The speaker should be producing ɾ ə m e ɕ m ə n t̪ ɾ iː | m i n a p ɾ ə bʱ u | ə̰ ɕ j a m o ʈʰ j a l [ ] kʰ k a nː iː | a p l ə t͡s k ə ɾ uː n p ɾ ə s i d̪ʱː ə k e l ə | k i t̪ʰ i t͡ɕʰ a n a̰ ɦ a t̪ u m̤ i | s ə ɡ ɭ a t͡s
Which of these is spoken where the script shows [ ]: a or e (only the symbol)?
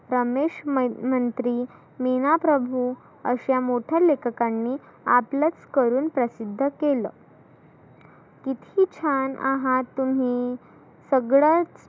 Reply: e